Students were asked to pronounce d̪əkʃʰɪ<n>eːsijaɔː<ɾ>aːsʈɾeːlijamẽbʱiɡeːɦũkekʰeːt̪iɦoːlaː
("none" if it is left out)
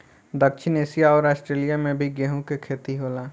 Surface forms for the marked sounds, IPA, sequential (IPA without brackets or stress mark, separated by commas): n, ɾ